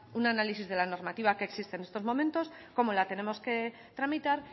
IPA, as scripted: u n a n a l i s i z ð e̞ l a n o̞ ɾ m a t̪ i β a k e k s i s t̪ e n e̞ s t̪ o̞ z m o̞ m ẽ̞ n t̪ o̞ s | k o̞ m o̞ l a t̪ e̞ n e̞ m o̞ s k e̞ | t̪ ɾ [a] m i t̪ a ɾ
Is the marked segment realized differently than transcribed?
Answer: no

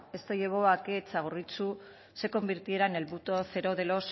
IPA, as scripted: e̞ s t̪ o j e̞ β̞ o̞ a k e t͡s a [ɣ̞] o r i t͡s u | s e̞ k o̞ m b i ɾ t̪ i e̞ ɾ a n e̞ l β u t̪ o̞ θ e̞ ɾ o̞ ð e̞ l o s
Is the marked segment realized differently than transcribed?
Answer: no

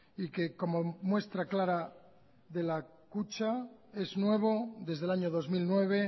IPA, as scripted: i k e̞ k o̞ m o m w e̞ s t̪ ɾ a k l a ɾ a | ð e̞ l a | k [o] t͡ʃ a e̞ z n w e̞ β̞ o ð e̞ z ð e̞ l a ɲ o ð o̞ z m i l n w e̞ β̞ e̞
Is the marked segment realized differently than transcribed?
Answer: yes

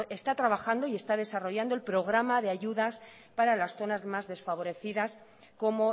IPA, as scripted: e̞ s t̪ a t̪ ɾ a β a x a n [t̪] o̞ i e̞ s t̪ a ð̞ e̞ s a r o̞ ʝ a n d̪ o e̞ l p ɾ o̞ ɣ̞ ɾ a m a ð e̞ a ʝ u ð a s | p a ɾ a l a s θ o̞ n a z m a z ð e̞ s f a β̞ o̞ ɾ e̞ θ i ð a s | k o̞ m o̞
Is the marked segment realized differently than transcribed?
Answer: yes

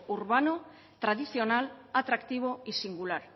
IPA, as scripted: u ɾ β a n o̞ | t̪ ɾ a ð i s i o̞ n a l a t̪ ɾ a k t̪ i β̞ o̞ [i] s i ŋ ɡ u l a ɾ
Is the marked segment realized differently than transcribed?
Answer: no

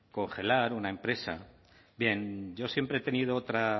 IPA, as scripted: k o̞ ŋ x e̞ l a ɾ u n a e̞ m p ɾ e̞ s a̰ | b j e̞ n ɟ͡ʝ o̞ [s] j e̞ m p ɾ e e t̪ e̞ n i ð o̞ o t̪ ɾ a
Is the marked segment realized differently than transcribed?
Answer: no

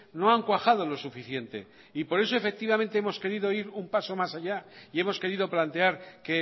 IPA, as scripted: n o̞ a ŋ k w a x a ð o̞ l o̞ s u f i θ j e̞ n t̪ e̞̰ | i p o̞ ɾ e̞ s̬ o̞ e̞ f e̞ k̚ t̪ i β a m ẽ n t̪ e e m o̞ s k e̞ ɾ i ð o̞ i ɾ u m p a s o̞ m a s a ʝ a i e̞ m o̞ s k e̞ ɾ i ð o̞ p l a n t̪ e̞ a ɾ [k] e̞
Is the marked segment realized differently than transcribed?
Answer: no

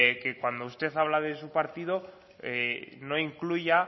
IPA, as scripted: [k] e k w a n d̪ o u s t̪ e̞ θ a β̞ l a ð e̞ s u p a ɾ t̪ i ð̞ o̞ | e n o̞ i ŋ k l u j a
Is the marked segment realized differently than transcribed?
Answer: no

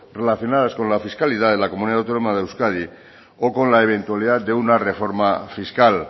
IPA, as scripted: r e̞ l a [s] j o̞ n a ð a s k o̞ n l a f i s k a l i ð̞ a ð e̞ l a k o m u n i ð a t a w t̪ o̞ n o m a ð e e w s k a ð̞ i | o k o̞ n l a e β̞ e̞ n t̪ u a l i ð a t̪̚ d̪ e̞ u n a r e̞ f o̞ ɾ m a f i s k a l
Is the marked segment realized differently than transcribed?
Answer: yes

